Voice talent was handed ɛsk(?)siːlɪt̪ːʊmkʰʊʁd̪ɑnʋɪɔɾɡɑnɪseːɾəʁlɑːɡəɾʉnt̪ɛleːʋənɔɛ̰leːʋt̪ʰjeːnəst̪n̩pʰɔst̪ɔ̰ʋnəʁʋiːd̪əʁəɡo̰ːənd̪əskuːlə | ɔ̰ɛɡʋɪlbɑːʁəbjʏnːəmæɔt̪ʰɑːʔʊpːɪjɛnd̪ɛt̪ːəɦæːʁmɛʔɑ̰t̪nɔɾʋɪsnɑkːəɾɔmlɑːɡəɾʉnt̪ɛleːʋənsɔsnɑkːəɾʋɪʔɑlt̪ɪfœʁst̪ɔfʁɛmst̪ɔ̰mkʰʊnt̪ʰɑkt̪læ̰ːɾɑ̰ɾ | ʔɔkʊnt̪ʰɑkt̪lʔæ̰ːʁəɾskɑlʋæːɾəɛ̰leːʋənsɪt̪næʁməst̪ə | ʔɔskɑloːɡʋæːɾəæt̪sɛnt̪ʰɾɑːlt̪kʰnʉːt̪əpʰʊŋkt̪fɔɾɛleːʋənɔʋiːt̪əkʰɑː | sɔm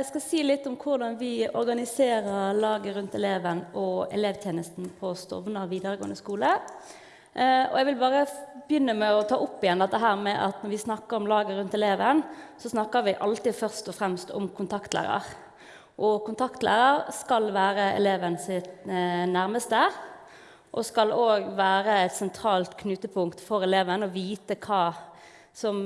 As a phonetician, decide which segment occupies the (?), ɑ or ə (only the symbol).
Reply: ɑ